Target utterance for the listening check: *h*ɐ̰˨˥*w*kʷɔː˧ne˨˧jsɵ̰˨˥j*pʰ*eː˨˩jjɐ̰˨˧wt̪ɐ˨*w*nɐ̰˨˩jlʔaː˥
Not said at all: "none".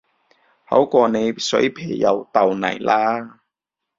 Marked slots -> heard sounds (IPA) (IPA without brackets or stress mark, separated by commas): h, w, pʰ, w